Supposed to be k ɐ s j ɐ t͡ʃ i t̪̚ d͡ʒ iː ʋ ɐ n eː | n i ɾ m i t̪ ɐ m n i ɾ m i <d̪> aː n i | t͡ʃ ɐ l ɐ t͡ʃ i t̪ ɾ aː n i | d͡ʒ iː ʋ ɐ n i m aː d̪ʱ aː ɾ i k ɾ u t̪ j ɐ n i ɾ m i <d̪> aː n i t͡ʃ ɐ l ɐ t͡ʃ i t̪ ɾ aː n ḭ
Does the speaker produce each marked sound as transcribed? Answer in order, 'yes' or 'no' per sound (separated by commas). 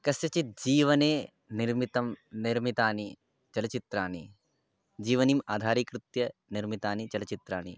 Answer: no, no